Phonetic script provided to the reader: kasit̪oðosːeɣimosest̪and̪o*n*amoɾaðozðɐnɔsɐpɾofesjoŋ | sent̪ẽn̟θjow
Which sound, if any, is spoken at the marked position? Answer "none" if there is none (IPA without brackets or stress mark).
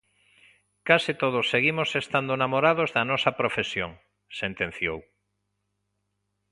n